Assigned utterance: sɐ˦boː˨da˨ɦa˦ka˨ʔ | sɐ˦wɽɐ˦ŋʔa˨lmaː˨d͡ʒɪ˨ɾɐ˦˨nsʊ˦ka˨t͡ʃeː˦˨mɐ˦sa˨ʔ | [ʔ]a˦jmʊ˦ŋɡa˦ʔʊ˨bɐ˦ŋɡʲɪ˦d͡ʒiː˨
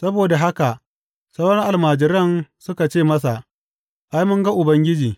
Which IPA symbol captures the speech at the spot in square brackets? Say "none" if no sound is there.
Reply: ʔ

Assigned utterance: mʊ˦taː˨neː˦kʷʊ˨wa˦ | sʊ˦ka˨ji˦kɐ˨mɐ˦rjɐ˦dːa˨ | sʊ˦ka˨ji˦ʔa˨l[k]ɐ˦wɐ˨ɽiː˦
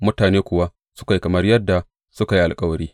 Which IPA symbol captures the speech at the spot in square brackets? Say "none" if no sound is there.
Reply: kʼ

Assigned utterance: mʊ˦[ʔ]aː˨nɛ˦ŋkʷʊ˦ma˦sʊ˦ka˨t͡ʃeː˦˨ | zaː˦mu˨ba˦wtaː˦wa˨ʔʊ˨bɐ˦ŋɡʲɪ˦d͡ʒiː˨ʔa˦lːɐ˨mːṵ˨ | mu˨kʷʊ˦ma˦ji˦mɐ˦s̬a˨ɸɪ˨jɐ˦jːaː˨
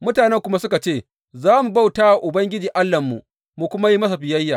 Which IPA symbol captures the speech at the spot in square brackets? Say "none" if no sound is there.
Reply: t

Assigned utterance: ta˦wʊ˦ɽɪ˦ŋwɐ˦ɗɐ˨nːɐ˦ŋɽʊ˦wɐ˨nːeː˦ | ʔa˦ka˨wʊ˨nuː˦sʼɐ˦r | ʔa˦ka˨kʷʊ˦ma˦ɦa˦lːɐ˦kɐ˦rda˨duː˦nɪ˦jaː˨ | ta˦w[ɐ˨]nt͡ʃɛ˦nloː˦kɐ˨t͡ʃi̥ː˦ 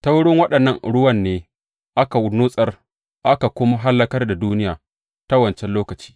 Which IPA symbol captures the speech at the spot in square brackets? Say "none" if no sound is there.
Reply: ɐ˨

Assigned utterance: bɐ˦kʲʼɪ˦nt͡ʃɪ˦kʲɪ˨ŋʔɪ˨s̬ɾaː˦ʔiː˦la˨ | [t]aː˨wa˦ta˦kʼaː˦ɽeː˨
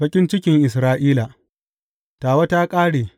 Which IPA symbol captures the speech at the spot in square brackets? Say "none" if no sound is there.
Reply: t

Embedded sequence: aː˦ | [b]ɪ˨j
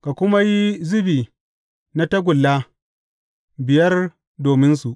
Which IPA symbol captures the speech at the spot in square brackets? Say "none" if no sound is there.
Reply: b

